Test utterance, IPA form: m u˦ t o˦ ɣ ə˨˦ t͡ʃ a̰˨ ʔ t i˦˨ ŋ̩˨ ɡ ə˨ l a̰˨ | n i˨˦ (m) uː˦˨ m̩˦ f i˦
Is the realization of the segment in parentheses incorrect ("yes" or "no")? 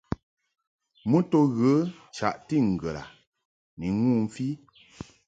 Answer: yes